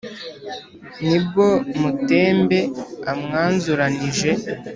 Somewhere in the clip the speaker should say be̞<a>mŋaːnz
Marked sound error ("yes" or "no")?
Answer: no